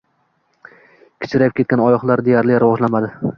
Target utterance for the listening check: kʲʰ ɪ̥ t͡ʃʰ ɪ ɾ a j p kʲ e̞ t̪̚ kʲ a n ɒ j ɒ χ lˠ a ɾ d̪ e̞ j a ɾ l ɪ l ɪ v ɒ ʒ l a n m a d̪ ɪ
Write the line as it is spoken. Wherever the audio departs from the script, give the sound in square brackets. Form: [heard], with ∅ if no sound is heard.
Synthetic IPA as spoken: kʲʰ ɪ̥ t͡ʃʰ ɪ ɾ a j p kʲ e̞ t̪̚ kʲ a n ɒ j ɒ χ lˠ a ɾ d̪ e̞ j a ɾ l ɪ [ɾ] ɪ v ɒ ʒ l a n m a d̪ ɪ